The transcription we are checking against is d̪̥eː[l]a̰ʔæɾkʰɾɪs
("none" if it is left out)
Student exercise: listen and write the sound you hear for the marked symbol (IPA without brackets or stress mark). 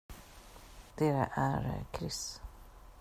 ɾ